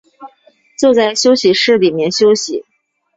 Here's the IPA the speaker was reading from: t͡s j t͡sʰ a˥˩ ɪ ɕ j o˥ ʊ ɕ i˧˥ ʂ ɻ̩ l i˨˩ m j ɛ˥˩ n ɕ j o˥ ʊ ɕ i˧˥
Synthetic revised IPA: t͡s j t͡s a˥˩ ɪ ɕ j o˥ ʊ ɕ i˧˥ ʂ ɻ̩ l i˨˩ m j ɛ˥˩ n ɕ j o˥ ʊ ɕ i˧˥